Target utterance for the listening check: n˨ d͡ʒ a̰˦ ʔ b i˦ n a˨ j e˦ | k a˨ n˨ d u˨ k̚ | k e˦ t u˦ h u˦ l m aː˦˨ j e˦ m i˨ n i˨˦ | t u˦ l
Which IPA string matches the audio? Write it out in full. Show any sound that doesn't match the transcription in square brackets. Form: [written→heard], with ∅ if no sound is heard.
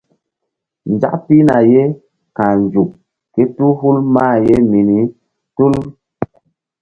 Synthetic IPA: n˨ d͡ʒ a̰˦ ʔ [b→p] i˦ n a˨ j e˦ | k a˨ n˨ [d→d͡ʒ] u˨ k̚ | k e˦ t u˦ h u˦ l m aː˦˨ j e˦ m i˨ n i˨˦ | t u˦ l